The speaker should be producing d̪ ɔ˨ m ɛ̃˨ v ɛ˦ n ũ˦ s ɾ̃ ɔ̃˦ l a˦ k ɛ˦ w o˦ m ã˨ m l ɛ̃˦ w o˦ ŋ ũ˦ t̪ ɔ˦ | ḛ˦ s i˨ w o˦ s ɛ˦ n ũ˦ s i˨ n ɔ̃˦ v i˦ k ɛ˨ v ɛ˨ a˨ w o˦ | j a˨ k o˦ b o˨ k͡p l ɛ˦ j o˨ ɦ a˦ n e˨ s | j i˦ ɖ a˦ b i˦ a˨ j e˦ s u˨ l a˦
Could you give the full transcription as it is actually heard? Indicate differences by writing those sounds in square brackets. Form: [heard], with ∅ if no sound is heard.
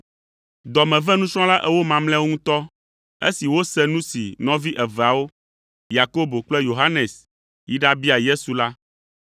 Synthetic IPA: d̪ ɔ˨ m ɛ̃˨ v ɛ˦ n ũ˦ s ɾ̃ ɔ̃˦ l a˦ [ʔ] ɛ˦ w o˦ m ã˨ m l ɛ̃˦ w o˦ ŋ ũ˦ t̪ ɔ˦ | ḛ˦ s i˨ w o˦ s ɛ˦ n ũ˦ s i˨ n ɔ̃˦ v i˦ [ʔ] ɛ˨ v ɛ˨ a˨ w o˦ | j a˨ k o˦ b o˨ k͡p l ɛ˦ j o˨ ɦ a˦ n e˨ s | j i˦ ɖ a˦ b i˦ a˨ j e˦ s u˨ l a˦